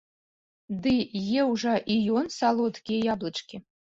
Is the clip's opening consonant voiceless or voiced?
voiced